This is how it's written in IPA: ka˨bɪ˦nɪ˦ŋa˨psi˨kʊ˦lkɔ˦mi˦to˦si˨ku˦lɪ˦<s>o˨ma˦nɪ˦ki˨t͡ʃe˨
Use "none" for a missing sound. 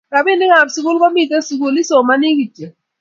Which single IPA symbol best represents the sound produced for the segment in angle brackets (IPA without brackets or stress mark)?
s